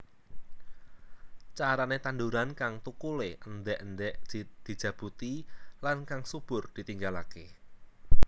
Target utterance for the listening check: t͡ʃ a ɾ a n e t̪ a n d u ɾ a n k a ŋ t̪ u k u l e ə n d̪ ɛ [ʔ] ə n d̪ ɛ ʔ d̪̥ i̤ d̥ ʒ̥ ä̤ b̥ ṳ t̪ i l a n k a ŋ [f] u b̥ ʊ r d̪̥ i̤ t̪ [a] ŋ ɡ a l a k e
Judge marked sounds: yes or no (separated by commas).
yes, no, no